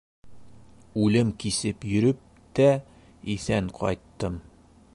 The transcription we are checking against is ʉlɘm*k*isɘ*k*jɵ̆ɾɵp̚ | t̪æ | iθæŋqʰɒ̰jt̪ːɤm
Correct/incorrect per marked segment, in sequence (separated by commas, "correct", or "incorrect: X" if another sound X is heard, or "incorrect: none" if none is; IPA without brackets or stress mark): correct, incorrect: p